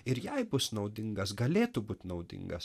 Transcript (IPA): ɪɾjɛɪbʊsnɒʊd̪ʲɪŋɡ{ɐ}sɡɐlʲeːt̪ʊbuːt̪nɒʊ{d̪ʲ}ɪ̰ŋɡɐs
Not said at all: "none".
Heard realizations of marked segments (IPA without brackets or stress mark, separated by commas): ɐ, d̪ʲ